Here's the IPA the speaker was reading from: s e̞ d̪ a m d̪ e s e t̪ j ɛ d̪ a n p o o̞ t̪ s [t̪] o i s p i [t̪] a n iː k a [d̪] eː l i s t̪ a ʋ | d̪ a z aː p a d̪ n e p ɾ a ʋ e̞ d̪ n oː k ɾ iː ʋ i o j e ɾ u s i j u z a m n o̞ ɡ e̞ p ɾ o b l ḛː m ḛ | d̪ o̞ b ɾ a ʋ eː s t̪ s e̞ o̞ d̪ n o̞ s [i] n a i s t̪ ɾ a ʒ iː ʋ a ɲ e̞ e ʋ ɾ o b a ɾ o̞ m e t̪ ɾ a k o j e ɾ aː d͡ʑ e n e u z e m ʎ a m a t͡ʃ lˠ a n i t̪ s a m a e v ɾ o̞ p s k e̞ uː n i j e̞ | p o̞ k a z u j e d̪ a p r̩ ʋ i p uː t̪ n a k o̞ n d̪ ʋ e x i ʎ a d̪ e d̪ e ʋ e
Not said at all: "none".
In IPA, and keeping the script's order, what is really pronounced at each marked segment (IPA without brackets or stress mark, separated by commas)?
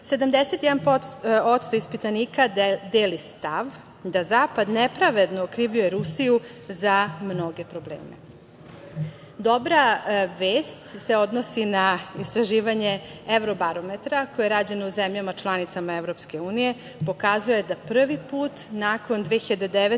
t̪, t̪, d̪, i